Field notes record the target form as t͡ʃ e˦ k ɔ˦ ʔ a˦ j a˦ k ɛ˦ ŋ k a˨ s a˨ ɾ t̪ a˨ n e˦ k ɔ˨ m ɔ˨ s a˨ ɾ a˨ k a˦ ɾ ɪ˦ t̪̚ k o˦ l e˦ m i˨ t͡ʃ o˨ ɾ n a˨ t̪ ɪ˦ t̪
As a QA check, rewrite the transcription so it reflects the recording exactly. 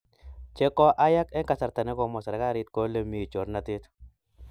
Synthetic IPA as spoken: t͡ʃ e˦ k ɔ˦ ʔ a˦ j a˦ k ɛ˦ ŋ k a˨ s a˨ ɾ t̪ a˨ n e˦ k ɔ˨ m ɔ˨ s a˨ ɾ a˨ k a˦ ɾ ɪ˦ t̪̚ k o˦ l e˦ m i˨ t͡ʃ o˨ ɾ n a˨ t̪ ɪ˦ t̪